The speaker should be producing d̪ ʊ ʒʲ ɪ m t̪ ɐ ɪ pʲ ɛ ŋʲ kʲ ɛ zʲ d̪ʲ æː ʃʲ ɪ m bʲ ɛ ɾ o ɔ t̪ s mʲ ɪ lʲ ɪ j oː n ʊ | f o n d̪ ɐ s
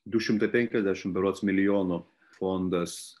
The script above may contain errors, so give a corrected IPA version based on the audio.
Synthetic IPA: d̪ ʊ ʃʲ ɪ m t̪ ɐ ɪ pʲ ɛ ŋʲ kʲ ɛ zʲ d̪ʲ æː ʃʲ ɪ m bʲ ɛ ɾ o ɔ t̪ s mʲ ɪ lʲ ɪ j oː n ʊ | f o n d̪ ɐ s